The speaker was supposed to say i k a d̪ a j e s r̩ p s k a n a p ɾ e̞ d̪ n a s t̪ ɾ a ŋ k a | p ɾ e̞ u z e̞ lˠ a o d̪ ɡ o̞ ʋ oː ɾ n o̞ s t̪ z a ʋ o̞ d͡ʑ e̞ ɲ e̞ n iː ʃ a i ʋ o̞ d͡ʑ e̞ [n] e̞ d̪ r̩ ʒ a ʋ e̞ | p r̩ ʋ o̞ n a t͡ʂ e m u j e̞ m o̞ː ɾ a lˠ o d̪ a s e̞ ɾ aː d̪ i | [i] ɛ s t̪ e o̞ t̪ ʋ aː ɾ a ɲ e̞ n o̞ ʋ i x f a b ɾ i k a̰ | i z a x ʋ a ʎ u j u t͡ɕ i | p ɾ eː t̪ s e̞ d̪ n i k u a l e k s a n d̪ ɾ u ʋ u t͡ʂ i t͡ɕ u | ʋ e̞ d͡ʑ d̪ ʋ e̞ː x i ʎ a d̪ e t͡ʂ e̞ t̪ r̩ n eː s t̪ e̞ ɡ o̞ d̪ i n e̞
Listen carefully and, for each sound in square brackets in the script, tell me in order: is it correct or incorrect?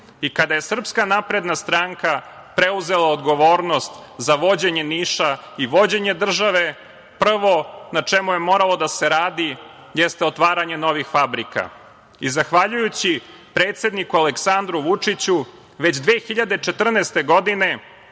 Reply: incorrect: ɲ, incorrect: j

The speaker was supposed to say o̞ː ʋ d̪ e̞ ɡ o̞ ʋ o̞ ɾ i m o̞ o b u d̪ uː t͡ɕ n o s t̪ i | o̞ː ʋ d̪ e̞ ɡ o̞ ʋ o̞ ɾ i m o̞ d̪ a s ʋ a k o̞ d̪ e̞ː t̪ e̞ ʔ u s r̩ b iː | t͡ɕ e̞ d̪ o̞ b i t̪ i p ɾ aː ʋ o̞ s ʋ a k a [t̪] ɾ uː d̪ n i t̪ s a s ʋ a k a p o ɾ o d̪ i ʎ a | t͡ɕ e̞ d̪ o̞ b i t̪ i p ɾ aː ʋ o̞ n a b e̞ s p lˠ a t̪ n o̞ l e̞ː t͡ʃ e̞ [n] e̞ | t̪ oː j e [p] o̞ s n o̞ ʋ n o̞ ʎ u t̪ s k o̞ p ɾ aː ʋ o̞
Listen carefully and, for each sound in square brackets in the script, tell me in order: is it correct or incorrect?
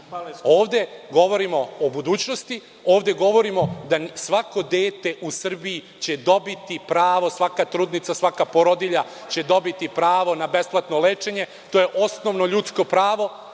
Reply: correct, incorrect: ɲ, incorrect: ʔ

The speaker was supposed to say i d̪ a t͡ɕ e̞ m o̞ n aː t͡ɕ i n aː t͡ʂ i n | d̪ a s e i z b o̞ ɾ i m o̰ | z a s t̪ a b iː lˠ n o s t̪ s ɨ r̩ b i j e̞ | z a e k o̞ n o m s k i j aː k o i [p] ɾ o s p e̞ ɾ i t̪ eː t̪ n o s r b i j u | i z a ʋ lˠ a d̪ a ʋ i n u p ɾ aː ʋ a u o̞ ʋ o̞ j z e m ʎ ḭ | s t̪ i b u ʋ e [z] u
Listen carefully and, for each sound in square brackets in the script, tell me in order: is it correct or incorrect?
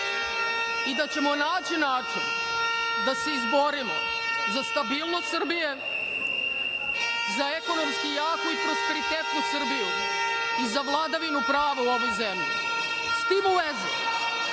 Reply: correct, correct

